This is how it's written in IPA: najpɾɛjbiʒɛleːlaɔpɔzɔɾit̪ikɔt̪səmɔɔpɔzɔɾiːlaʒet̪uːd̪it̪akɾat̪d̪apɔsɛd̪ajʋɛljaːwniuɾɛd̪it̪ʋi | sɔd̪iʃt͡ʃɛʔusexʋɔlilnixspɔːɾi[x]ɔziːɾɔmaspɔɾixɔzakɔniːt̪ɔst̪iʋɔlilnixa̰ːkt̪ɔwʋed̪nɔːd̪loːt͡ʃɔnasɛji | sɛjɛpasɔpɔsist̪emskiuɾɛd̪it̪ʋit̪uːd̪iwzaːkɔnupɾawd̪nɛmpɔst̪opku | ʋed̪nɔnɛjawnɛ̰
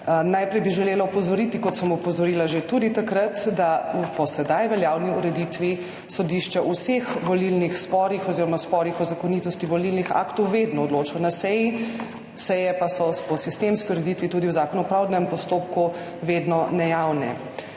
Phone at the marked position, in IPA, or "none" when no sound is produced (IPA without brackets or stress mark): x